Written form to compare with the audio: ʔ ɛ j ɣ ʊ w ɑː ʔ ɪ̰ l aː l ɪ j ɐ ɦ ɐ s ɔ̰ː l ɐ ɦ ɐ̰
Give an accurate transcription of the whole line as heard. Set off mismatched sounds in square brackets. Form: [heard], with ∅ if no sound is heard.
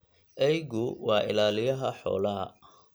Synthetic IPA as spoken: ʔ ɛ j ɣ ʊ w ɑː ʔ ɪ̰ l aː l ɪ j ɐ ɦ ɐ [ħ] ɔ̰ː l ɐ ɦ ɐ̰